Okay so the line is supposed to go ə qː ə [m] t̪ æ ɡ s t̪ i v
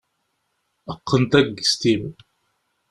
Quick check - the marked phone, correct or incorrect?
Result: incorrect: n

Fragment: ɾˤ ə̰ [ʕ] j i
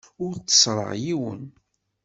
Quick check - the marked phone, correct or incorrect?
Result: incorrect: ʁ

